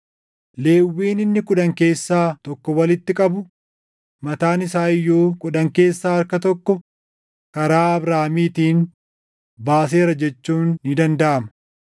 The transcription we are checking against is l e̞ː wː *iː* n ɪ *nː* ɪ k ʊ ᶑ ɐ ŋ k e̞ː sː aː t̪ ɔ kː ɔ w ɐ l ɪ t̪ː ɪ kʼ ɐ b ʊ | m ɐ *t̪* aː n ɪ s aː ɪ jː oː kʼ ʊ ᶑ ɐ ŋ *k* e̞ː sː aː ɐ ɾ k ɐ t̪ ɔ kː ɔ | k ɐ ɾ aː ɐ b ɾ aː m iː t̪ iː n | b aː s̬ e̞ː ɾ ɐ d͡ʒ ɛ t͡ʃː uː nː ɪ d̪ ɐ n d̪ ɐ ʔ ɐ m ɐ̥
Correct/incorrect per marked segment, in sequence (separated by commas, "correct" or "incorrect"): correct, correct, correct, correct